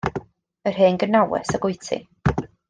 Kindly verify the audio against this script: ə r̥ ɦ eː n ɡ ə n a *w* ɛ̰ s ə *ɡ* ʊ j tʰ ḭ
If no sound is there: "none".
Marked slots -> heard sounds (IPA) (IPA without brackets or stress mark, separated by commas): w, ɡ